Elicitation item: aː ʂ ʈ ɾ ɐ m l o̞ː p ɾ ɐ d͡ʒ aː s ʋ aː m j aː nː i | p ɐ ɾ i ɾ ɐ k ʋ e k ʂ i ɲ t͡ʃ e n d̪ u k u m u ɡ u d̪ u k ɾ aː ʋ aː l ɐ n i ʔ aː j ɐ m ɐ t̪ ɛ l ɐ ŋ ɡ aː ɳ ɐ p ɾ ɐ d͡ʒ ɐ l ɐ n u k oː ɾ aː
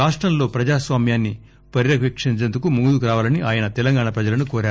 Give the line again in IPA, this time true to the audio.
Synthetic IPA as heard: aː ʂ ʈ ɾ ɐ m l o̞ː p ɾ ɐ d͡ʒ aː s ʋ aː m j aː nː i | p ɐ ɾ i ɾ ɐ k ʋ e k ʂ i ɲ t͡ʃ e n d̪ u k u m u ɡ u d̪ u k ɾ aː ʋ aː l ɐ n i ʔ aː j ɐ n ɐ t̪ ɛ l ɐ ŋ ɡ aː ɳ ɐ p ɾ ɐ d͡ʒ ɐ l ɐ n u k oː ɾ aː